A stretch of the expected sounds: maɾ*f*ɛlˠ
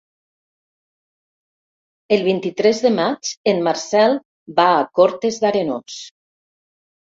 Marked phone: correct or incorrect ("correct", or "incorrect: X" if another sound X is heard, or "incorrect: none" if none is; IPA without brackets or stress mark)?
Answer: incorrect: s